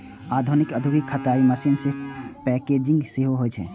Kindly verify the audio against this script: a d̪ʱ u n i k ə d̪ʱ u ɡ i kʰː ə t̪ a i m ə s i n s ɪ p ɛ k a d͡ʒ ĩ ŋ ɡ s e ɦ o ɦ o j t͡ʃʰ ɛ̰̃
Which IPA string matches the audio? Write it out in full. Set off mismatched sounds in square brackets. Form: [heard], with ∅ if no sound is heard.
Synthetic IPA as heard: a d̪ʱ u n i k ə d̪ʱ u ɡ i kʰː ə t̪ a i m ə s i n s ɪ p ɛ k [e] d͡ʒ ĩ ŋ ɡ s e ɦ o ɦ o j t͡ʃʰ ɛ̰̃